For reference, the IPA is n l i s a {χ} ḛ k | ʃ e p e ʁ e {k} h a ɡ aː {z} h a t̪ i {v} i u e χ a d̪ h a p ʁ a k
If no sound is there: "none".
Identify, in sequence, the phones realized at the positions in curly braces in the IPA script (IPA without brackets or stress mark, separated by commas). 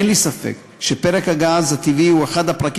f, k, z, v